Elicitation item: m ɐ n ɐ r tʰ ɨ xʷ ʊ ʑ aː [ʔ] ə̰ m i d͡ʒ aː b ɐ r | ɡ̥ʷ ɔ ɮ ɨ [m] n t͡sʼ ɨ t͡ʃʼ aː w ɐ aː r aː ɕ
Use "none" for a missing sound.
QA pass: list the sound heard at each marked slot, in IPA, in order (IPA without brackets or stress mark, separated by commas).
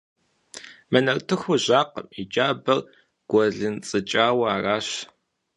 q, none